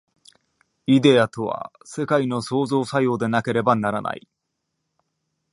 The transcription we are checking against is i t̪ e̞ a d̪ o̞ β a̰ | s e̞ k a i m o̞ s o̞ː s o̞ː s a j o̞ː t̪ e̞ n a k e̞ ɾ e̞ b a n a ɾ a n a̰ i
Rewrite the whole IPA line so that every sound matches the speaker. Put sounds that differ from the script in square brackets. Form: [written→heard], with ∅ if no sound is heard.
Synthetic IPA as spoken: i [t̪→d̪] e̞ a [d̪→t̪] o̞ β a̰ | s e̞ k a i [m→n] o̞ s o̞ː [s→z] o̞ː s a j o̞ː [t̪→d̪] e̞ n a k e̞ ɾ e̞ b a n a ɾ a n a̰ i